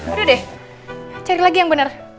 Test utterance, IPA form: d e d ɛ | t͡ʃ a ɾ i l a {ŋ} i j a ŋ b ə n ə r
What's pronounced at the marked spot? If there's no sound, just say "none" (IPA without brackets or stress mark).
ɡ